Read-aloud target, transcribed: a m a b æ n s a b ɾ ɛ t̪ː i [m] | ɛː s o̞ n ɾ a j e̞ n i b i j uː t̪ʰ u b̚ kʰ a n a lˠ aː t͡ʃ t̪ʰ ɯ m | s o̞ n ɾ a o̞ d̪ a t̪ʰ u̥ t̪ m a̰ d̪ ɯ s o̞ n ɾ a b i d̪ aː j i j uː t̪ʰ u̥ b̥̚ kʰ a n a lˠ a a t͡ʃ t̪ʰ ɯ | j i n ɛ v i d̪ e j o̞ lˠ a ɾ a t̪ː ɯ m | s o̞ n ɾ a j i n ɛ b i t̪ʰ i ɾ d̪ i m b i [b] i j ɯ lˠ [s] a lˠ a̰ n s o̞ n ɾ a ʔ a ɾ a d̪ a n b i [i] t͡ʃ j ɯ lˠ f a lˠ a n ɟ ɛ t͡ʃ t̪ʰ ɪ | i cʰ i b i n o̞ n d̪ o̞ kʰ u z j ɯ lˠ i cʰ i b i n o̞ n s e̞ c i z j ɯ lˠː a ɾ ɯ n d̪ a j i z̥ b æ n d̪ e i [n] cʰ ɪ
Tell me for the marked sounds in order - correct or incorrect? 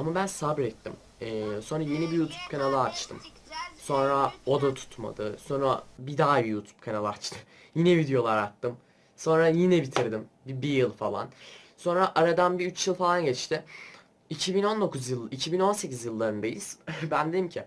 correct, correct, incorrect, incorrect, incorrect

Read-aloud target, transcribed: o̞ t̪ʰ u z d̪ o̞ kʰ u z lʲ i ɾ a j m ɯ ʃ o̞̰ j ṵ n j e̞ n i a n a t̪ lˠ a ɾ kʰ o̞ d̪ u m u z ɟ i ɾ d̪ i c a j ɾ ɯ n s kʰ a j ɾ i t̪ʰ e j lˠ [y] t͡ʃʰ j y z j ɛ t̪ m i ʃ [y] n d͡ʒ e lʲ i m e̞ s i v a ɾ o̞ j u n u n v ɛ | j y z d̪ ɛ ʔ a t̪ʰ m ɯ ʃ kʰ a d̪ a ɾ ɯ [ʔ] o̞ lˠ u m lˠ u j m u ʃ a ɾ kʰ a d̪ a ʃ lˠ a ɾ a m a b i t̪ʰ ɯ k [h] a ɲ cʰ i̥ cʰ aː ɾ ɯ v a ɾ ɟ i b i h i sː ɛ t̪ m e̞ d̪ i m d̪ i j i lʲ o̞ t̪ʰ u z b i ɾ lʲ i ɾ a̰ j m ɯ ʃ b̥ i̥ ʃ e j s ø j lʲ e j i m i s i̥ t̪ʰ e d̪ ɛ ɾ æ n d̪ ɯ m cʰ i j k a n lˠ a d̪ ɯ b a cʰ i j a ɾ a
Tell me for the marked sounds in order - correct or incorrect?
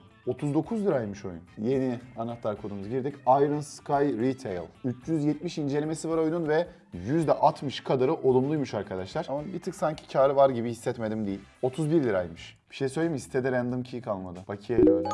correct, incorrect, correct, incorrect

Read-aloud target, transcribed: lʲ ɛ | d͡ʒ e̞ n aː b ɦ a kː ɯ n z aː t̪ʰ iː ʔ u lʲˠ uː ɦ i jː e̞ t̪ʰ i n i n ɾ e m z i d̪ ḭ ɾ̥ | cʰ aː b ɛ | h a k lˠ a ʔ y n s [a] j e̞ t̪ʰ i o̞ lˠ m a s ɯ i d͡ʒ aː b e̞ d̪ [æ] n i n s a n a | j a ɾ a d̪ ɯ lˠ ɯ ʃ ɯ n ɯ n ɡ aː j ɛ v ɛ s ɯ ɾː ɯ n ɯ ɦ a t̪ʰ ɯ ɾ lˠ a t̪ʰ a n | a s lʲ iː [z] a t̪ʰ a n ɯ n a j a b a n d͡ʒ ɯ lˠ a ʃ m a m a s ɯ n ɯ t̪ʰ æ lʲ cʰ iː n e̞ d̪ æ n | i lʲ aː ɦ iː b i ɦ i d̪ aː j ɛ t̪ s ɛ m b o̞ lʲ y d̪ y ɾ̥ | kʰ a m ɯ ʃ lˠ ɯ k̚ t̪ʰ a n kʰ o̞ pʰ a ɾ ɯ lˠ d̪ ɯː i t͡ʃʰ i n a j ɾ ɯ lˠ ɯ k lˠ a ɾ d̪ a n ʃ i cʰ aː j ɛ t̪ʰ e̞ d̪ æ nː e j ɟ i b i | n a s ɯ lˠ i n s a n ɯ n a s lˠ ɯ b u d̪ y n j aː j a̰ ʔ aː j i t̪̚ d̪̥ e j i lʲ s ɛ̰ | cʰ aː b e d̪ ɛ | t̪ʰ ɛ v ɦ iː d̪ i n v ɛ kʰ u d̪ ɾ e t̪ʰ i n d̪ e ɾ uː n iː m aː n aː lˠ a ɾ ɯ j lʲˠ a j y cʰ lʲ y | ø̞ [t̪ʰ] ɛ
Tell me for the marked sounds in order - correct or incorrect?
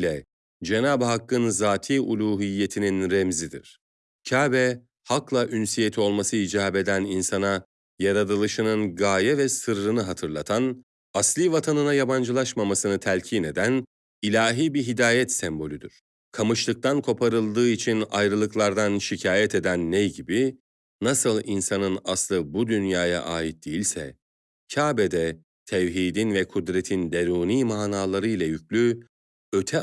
incorrect, correct, incorrect, correct

